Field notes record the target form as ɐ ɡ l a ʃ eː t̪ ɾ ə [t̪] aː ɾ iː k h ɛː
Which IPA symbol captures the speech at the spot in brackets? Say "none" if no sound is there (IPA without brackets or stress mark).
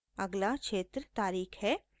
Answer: t̪